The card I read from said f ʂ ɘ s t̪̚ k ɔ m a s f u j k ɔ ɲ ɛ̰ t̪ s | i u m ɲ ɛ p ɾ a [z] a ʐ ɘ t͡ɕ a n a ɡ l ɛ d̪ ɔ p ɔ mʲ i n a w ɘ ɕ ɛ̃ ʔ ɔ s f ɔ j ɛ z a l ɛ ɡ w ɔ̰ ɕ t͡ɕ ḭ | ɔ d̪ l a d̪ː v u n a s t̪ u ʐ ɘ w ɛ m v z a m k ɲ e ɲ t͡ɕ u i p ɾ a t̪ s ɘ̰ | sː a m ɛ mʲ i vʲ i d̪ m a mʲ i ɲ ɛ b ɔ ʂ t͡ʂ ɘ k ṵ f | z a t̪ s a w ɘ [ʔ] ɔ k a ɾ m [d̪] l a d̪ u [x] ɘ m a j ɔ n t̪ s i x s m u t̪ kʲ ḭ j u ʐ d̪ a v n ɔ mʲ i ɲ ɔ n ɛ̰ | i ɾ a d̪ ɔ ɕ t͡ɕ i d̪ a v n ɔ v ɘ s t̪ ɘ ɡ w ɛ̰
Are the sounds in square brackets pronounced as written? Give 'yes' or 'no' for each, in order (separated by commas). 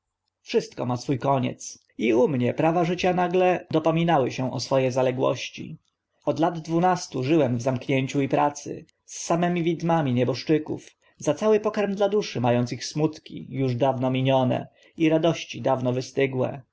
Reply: no, no, yes, no